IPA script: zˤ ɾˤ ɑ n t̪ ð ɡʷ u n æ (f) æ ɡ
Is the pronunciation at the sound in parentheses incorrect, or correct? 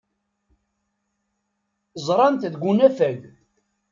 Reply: correct